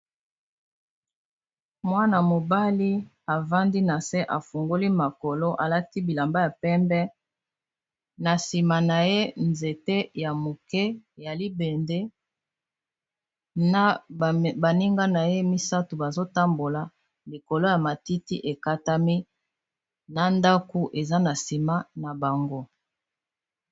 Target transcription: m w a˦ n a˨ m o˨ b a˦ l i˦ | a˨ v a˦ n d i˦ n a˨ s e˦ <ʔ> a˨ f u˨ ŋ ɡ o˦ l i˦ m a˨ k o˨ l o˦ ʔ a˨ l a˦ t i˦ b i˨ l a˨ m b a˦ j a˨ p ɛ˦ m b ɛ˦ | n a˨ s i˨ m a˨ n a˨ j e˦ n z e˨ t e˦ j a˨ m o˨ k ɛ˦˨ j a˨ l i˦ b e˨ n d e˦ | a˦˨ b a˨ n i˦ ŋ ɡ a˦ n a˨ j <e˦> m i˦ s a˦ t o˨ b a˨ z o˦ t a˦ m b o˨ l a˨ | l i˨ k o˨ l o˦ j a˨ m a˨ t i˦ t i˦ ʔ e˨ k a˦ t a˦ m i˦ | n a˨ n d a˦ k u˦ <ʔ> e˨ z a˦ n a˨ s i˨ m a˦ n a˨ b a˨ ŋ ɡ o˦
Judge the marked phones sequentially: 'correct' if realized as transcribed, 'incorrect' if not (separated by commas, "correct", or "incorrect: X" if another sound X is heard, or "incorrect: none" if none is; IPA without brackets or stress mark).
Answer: correct, correct, correct